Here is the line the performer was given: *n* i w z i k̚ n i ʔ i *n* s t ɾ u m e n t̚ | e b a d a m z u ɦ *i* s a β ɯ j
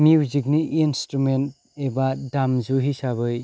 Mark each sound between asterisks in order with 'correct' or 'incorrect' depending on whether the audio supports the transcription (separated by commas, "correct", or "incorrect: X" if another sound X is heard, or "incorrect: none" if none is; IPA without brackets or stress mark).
incorrect: m, correct, correct